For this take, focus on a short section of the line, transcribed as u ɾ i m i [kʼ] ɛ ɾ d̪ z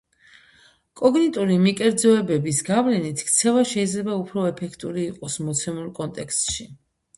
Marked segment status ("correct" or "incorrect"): correct